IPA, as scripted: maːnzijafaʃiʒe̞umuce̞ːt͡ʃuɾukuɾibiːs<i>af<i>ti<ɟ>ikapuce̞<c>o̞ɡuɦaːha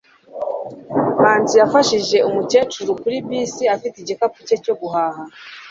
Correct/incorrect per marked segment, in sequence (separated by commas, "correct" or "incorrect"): correct, correct, correct, correct